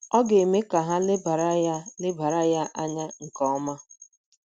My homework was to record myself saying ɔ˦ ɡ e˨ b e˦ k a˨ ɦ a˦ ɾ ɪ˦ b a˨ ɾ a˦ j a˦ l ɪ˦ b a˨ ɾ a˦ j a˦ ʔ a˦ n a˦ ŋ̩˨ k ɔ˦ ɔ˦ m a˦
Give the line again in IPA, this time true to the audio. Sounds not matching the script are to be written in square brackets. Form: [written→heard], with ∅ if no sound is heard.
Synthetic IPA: ɔ˦ ɡ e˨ [b→m] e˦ k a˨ ɦ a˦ [ɾ→l] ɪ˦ b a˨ ɾ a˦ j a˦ l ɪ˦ b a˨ ɾ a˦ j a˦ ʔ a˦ [n→ɲ] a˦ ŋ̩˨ k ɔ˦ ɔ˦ m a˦